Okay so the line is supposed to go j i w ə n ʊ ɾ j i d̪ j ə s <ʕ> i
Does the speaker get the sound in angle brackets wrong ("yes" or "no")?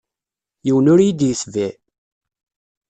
yes